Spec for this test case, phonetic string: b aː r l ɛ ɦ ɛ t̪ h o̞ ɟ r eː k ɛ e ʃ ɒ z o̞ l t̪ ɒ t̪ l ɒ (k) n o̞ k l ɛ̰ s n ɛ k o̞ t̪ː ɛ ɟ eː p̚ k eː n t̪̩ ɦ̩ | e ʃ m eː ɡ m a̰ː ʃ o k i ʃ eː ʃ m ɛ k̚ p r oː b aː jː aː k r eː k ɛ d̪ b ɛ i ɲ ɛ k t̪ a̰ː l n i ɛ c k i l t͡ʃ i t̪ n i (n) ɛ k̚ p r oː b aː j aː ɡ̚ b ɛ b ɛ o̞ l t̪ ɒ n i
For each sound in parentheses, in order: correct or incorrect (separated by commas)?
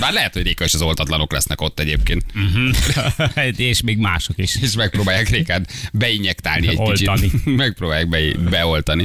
incorrect, incorrect